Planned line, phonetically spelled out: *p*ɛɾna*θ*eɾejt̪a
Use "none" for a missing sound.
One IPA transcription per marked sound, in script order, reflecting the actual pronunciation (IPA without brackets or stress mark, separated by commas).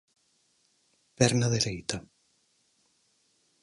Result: p, ð